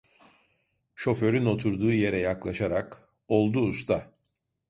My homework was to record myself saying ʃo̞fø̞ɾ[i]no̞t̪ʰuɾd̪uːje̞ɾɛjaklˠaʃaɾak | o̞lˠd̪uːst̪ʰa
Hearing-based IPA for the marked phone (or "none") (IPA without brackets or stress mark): y